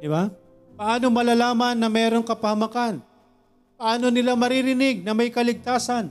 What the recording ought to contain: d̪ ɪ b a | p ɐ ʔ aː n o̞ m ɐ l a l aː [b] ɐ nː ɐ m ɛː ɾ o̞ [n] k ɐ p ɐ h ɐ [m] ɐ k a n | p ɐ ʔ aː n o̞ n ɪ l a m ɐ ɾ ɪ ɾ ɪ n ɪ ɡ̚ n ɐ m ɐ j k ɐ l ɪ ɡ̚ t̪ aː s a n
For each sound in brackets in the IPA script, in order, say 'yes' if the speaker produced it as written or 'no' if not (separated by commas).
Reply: no, no, yes